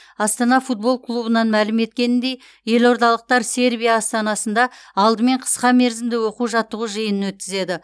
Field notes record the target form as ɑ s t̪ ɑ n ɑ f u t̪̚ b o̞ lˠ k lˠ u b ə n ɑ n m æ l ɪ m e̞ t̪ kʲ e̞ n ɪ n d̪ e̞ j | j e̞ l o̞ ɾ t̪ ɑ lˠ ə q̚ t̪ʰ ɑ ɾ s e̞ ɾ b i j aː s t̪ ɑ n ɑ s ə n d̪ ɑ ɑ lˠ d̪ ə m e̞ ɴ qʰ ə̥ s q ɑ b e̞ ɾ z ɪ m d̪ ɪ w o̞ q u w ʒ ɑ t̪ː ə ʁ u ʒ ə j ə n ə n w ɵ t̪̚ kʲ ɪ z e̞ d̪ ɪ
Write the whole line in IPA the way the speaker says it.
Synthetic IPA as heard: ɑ s t̪ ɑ n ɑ f u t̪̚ b o̞ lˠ k lˠ u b ə n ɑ n m æ l ɪ m e̞ t̪ kʲ e̞ n ɪ n d̪ e̞ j | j e̞ l o̞ ɾ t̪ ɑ lˠ ə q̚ t̪ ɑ ɾ s e̞ ɾ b i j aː s t̪ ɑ n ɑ s ə n d̪ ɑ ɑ lˠ d̪ ə m e̞ ɴ qʰ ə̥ s q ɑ m e̞ ɾ z ɪ m d̪ ɪ w o̞ q u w ʒ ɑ t̪ː ə ʁ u ʒ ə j ə n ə n w ɵ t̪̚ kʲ ɪ z e̞ d̪ ɪ